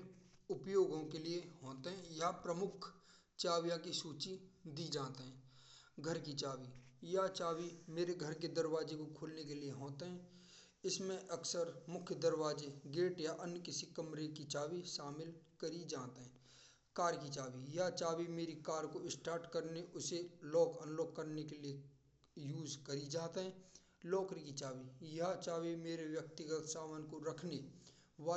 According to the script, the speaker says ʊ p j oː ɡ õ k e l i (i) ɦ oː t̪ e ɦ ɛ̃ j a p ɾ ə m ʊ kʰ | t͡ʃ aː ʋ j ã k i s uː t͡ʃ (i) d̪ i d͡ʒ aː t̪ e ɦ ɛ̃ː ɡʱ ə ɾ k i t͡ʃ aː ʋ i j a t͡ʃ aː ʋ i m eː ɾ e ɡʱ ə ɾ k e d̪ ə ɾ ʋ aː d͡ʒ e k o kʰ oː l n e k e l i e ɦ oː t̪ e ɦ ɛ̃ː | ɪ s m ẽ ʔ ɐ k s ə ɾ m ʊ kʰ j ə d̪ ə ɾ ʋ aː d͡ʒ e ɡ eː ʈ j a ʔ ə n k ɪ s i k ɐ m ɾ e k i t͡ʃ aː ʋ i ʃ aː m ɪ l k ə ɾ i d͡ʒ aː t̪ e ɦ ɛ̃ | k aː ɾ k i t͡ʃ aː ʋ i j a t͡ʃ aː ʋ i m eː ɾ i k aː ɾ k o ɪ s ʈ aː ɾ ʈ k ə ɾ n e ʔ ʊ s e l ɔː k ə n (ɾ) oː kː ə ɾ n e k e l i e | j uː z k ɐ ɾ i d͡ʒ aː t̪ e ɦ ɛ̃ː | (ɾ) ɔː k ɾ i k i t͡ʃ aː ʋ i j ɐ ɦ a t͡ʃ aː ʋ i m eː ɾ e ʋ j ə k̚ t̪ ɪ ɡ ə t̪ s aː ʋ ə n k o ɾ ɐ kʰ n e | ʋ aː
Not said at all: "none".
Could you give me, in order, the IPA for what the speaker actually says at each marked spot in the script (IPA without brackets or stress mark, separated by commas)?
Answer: e, i, l, l